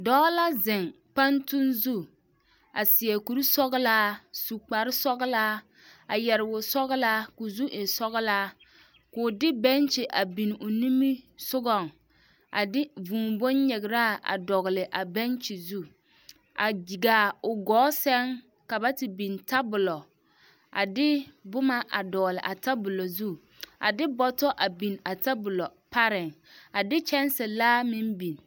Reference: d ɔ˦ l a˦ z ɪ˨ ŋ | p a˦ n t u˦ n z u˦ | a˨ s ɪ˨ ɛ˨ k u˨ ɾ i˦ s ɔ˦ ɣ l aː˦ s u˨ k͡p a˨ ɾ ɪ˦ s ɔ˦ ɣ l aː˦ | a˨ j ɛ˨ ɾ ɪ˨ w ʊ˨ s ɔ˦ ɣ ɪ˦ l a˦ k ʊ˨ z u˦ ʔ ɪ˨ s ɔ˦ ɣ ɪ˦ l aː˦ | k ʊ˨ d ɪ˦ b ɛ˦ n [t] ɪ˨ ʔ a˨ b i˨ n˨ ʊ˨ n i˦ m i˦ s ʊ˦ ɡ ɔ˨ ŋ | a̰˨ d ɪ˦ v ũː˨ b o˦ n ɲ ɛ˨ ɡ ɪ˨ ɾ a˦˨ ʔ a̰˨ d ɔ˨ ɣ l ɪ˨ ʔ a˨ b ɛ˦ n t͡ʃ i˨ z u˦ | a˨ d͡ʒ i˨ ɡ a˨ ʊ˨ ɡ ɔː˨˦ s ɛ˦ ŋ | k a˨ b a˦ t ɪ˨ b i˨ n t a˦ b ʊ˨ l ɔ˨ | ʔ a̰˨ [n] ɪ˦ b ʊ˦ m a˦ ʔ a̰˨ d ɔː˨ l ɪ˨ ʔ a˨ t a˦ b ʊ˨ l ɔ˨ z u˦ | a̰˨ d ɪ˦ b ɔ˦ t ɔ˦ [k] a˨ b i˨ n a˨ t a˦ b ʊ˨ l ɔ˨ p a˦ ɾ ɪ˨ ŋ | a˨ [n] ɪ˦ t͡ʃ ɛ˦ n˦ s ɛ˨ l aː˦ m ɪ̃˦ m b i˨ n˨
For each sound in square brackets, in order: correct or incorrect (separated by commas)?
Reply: incorrect, incorrect, incorrect, incorrect